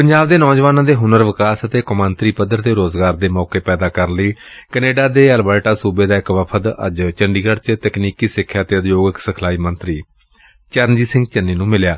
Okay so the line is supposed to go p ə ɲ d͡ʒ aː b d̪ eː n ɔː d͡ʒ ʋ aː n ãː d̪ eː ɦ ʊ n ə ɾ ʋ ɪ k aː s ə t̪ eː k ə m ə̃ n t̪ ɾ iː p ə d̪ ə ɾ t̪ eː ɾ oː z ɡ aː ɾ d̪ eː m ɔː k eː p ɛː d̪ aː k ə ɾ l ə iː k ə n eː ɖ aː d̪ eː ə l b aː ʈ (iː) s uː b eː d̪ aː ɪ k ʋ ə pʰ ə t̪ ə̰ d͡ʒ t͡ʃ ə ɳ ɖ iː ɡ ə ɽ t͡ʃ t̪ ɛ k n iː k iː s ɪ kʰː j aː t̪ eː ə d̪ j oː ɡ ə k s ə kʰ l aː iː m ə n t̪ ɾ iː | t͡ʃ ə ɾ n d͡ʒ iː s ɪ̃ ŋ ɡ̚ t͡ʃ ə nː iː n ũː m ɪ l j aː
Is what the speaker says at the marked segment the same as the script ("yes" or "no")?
no